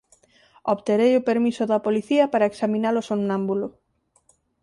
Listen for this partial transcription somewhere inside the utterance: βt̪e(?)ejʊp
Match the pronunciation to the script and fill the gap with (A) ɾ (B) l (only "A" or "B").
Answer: A